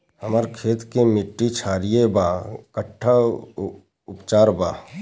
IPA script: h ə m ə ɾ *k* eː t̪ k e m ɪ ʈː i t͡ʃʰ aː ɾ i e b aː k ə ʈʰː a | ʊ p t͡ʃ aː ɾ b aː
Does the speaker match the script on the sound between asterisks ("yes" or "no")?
no